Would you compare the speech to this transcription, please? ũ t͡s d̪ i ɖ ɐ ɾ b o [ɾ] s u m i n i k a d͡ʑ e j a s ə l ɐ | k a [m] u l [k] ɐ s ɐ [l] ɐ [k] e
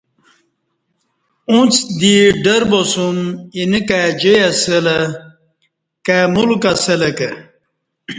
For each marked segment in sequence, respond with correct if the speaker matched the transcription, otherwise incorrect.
incorrect, correct, correct, correct, correct

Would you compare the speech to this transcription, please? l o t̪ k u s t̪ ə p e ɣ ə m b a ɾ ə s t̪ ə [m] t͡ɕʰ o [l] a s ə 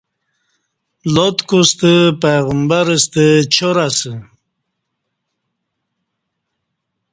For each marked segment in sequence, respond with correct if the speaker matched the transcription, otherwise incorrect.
incorrect, incorrect

